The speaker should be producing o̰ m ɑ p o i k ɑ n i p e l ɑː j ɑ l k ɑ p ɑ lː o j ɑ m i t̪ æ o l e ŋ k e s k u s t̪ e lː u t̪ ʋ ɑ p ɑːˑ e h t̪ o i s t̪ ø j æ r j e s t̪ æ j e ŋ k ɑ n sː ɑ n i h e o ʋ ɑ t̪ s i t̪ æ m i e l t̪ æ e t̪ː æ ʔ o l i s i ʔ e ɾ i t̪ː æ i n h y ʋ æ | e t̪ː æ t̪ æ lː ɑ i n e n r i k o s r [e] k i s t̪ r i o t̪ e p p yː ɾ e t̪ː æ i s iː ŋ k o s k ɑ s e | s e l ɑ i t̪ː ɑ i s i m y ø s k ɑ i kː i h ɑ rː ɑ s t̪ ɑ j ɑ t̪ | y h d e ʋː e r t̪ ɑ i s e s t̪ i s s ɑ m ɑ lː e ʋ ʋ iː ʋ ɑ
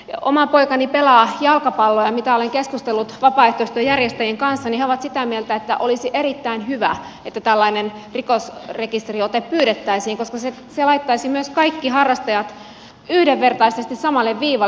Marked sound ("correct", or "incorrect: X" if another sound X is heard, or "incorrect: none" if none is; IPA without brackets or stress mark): correct